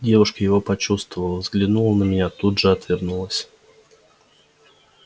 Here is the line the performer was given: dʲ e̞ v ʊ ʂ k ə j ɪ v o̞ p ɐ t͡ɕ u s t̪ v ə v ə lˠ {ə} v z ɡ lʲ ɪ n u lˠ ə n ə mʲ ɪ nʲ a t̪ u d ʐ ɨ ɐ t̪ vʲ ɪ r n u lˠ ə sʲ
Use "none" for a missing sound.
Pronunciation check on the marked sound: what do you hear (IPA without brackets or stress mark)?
ə